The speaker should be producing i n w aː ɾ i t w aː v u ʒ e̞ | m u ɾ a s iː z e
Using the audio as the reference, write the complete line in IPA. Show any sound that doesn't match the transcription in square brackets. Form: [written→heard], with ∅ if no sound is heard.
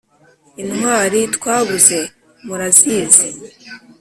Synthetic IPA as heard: i n w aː ɾ i t w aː [v→β] u [ʒ→z] e̞ | m u ɾ a [s→z] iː z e